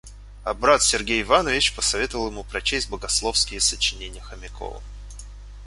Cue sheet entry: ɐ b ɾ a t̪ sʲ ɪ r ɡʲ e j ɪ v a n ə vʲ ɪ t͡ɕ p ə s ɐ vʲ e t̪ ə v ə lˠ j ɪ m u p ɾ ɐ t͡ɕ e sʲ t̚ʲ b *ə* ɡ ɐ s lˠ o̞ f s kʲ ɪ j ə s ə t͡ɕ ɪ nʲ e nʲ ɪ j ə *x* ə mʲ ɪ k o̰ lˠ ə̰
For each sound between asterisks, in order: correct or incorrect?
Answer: correct, correct

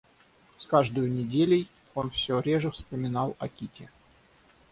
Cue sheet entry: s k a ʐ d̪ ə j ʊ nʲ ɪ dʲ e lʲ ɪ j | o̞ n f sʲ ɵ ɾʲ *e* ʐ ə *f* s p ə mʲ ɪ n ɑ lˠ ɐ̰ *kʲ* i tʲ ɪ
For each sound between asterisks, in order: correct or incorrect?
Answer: correct, correct, correct

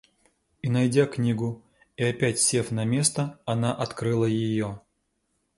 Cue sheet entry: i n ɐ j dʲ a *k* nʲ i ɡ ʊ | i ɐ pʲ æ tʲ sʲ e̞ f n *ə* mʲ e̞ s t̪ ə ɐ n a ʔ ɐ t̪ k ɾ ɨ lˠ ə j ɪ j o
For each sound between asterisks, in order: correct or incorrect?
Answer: correct, incorrect: ɐ

